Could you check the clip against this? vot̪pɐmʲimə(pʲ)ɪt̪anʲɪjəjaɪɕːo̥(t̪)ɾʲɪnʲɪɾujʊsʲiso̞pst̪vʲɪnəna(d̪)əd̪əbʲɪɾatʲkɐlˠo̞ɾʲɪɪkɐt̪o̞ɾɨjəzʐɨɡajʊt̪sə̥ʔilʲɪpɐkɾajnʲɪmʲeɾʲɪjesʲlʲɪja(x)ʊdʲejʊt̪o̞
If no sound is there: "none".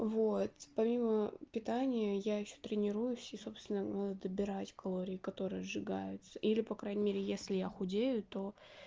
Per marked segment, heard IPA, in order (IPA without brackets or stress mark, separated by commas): pʲ, t̪, d̪, x